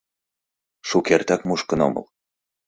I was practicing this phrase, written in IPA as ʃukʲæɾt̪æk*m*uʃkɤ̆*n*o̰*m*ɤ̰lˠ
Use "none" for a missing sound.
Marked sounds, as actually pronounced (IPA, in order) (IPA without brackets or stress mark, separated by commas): m, n, m